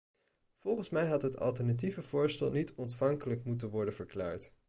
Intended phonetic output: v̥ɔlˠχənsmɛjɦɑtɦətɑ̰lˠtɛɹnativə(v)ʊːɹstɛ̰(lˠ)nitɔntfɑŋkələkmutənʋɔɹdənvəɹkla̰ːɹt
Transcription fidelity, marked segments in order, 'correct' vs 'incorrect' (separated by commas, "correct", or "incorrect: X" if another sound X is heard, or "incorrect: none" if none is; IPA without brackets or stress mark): correct, correct